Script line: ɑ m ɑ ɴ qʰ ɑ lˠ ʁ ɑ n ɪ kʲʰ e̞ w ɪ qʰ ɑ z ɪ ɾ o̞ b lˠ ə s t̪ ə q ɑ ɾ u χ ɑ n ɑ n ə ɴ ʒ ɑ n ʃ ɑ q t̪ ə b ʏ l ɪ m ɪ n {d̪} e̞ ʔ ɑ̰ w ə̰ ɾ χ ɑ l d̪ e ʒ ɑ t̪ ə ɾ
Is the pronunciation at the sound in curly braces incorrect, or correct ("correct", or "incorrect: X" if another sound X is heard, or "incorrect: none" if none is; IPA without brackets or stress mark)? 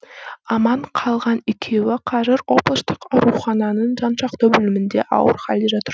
correct